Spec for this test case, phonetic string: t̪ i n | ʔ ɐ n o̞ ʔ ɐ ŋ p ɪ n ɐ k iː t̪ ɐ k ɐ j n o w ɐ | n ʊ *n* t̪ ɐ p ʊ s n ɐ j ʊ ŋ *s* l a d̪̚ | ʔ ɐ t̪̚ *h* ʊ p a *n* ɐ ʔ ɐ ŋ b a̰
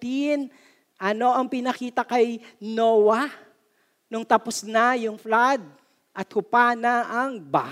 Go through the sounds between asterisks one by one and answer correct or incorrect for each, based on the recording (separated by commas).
incorrect, incorrect, correct, correct